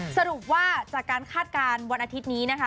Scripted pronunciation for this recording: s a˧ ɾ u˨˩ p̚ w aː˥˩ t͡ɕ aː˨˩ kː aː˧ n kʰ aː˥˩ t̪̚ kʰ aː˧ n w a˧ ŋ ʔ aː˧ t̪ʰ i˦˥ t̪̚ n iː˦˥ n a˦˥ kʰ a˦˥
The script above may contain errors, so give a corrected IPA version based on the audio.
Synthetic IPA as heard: s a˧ ɾ u˨˩ p̚ w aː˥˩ t͡ɕ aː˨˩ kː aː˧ n kʰ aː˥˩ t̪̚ k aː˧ n w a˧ n ʔ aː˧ t̪ʰ i˦˥ t̪̚ n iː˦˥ n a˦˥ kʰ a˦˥